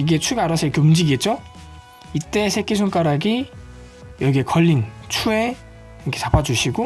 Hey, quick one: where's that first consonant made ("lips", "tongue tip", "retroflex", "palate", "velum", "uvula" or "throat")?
velum